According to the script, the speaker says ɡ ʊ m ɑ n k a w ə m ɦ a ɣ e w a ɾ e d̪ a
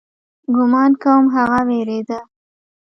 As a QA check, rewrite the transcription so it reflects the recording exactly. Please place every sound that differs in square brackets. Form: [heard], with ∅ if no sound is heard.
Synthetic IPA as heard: ɡ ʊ m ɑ n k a w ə m ɦ a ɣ [a] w [e] ɾ e d̪ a

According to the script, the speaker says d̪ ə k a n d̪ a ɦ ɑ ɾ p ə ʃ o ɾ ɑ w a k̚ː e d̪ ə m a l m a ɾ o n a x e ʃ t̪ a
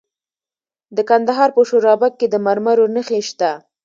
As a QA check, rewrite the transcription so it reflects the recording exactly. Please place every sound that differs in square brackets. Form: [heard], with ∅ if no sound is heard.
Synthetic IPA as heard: d̪ ə k a n d̪ a ɦ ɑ ɾ p ə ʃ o ɾ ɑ [b] a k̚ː e d̪ ə m a [ɾ] m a ɾ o n [ə] x e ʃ t̪ a

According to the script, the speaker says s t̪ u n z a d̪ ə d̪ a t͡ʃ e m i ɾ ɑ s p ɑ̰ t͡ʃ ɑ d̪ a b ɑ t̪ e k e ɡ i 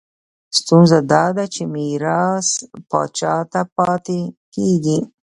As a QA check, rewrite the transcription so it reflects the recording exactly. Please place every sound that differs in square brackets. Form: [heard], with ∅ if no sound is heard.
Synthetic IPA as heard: s t̪ u n z a d̪ [ɑ] d̪ a t͡ʃ e m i ɾ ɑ s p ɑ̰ t͡ʃ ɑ [t̪] a [p] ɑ t̪ e k e ɡ i

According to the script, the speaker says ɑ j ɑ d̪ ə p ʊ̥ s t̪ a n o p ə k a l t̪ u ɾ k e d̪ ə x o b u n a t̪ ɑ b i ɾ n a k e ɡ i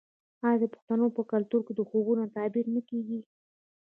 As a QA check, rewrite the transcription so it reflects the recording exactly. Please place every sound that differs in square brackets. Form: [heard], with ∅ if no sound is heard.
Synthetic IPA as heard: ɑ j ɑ d̪ ə p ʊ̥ [x] t̪ a n o p ə k a l t̪ u ɾ k e d̪ ə x o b u n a t̪ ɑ b i ɾ n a k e ɡ i

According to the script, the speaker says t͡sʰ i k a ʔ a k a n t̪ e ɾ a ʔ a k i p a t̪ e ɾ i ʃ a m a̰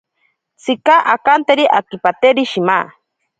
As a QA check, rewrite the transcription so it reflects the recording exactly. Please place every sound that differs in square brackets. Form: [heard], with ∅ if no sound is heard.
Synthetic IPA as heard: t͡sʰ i k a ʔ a k a n t̪ e ɾ [i] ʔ a k i p a t̪ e ɾ i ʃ [i] m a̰

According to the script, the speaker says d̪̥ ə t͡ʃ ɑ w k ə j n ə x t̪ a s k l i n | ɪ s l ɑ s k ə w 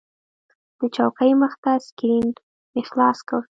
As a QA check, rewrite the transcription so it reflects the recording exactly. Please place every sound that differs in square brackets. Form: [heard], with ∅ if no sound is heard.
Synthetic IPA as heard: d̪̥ ə t͡ʃ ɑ w k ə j [m] ə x t̪ a s k [ɾ] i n | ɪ [x] l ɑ s k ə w

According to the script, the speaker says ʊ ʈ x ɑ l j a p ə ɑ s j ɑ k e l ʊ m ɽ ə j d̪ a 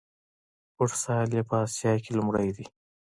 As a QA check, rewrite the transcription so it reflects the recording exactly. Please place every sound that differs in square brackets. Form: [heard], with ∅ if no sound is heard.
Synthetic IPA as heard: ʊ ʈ [s] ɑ l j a p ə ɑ s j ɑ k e l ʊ m ɽ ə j d̪ [i]

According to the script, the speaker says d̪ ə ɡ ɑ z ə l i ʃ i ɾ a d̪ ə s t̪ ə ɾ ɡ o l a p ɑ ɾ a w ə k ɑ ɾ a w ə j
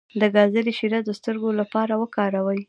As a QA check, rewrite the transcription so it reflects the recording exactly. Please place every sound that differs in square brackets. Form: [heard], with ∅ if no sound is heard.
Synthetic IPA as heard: d̪ ə ɡ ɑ z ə l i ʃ i ɾ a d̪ ə s t̪ ə ɾ ɡ o l a p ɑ ɾ a w ə k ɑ ɾ a w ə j

